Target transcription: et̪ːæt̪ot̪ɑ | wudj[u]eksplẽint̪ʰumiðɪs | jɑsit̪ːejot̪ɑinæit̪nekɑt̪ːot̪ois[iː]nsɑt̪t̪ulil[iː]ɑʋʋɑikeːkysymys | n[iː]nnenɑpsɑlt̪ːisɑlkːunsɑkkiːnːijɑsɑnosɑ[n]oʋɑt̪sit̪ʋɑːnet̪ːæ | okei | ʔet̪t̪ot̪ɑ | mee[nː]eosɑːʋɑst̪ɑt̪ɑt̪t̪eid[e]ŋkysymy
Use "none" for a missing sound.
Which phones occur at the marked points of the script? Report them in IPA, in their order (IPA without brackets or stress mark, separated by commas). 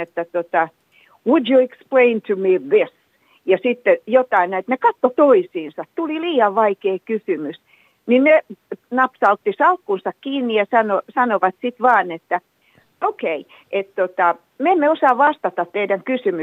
u, iː, iː, i, n, mː, æ